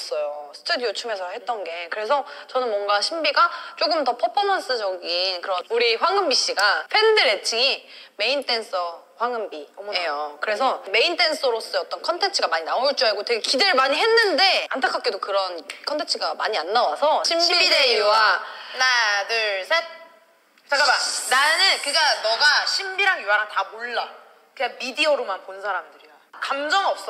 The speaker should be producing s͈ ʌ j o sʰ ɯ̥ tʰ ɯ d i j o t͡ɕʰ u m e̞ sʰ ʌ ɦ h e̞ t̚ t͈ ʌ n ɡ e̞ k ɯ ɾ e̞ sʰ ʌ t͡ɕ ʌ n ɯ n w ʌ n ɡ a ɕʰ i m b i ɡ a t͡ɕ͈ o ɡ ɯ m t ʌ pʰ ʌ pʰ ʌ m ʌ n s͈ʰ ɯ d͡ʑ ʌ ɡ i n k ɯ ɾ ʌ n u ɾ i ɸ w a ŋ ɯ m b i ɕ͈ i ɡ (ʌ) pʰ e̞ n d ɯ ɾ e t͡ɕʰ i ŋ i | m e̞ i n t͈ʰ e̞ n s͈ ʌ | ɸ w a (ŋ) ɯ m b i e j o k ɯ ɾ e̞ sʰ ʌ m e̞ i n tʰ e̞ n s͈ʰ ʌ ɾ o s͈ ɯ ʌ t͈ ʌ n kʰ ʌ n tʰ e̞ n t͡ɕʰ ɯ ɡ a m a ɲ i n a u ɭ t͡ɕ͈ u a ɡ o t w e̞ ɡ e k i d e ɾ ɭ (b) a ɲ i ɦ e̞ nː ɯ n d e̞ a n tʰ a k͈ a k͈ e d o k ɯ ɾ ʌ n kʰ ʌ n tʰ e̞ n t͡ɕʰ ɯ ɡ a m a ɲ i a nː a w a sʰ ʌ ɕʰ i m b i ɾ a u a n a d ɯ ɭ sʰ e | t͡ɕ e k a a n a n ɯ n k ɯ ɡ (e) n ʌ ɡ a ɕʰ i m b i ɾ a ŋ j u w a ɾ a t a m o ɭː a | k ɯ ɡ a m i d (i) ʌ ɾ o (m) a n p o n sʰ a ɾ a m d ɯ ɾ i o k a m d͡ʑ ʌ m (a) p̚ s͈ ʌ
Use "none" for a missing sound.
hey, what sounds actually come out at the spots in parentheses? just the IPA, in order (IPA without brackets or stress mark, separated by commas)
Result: a, ŋ, m, a, i, m, ʌ